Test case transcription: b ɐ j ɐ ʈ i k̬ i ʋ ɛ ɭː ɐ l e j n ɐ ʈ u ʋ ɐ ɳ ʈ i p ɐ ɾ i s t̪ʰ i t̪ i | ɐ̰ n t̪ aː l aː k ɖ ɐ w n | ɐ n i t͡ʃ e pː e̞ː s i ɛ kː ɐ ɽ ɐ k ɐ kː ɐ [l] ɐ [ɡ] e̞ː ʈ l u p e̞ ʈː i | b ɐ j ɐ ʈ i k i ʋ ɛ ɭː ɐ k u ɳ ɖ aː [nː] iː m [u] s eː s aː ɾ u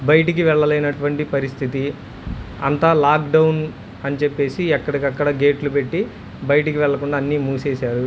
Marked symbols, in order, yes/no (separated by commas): no, yes, yes, no